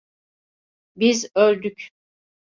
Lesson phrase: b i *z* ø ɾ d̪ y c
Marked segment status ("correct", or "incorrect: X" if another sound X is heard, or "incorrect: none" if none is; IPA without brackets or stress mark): correct